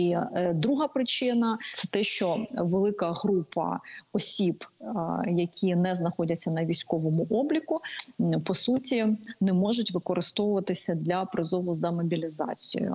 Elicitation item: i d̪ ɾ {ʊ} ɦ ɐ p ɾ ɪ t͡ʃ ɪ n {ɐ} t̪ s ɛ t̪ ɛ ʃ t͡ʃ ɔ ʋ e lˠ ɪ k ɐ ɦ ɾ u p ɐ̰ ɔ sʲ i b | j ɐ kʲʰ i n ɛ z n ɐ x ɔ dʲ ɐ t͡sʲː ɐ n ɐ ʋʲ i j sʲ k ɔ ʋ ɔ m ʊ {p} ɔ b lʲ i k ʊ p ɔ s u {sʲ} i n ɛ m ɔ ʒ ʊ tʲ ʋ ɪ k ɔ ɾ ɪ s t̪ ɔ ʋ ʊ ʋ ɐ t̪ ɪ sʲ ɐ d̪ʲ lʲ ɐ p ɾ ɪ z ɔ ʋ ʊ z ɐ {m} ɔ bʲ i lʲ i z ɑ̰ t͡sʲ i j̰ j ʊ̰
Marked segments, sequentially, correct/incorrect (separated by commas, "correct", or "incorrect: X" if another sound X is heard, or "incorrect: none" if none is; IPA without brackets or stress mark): incorrect: u, correct, incorrect: ʔ, incorrect: tʲ, correct